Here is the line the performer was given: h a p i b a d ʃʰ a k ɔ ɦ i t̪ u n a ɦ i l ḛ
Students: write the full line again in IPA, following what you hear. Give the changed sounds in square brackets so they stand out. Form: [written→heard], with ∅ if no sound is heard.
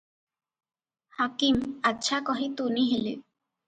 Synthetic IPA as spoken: h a [p→k] i [b→m] a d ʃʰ a k ɔ ɦ i t̪ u n [a→i] ɦ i l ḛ